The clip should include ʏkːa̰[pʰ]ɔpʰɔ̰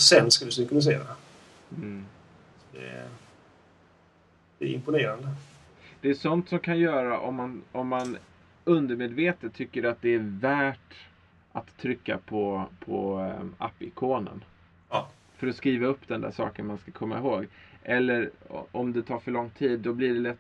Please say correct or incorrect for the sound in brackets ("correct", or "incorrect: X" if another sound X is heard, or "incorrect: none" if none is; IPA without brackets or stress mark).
correct